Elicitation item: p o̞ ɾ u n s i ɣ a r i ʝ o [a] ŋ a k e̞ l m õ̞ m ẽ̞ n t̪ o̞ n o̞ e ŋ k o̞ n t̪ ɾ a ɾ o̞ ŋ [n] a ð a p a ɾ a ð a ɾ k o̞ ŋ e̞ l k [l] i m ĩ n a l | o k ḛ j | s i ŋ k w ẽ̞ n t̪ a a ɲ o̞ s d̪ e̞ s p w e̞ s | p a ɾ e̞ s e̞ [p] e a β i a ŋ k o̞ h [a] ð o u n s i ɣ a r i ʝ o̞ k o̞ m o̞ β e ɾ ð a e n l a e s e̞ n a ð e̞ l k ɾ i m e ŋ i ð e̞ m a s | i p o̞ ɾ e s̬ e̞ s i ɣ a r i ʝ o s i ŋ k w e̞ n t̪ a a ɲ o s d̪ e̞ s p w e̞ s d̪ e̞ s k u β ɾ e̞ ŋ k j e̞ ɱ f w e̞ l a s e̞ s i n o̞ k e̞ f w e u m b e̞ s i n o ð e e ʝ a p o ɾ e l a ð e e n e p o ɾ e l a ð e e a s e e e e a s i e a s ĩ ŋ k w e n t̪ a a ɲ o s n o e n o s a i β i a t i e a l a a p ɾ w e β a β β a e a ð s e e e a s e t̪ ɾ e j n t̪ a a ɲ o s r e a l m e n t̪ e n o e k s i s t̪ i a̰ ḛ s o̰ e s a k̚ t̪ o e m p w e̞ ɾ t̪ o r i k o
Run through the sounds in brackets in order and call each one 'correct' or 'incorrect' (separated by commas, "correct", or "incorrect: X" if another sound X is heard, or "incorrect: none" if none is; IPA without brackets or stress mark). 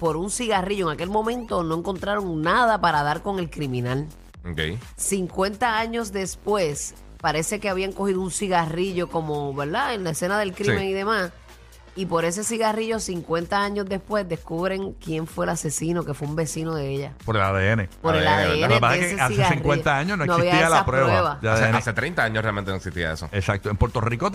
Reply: incorrect: e, correct, incorrect: ɾ, incorrect: k, incorrect: i